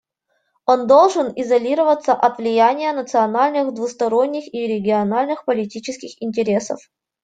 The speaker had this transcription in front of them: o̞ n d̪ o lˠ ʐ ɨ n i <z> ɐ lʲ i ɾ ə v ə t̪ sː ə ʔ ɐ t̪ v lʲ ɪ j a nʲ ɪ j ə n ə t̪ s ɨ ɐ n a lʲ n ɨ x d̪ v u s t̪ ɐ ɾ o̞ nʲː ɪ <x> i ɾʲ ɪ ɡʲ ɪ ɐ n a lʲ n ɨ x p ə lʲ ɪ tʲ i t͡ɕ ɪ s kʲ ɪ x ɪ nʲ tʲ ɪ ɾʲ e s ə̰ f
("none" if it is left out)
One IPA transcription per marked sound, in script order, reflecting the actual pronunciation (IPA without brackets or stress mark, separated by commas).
z, x